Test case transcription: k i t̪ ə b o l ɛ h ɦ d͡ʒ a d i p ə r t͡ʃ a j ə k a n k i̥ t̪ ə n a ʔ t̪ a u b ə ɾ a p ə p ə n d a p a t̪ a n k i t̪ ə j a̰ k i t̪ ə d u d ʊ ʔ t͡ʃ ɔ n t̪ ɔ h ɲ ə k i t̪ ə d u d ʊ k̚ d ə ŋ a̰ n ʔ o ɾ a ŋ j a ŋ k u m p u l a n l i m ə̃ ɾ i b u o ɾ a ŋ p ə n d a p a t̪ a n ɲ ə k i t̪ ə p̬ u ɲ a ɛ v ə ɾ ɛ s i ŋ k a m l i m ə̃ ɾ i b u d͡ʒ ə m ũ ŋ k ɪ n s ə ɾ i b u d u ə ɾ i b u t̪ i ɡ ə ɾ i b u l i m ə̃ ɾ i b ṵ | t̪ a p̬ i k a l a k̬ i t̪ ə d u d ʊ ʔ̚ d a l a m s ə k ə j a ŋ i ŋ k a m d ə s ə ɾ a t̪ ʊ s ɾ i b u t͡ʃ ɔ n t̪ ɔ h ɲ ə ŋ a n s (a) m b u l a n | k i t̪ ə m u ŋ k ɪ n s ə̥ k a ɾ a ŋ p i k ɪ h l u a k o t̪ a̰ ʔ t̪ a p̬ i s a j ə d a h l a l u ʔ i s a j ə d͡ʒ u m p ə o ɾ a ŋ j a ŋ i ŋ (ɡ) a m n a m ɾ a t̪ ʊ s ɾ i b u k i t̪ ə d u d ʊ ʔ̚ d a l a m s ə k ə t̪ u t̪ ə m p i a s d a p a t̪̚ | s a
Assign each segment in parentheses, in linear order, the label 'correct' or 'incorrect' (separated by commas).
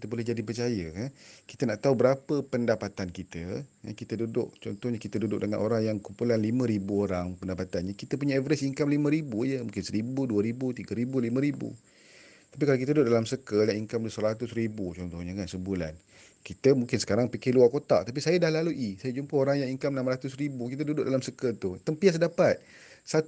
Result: incorrect, incorrect